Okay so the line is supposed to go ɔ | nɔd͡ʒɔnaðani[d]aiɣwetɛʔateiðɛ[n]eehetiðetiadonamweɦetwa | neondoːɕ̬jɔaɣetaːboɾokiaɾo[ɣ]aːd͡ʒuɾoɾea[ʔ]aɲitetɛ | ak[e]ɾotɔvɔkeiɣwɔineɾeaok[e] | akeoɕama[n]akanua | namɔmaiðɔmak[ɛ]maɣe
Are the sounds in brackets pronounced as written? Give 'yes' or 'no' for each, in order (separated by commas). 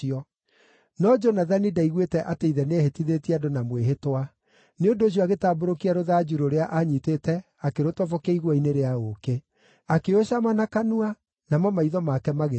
yes, yes, no, yes, yes, yes, yes, yes